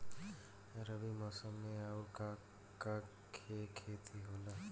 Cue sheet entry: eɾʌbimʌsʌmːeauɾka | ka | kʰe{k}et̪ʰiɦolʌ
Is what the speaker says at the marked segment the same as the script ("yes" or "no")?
no